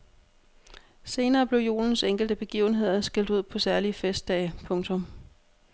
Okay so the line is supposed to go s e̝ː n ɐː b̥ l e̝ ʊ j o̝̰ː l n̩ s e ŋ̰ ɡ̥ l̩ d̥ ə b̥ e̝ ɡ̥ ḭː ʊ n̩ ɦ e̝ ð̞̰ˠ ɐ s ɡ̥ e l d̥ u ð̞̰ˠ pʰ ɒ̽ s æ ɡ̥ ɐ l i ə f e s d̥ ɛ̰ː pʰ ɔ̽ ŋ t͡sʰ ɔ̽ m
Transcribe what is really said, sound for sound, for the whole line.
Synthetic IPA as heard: s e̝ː n ɐː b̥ l e̝ ʊ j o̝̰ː l n̩ s e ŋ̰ ɡ̥ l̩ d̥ ə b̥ e̝ ɡ̥ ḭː ʊ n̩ ɦ e̝ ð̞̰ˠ ɐ s ɡ̥ e l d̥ u ð̞̰ˠ pʰ ɒ̽ s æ ɐ l i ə f e s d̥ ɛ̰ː pʰ ɔ̽ ŋ t͡sʰ ɔ̽ m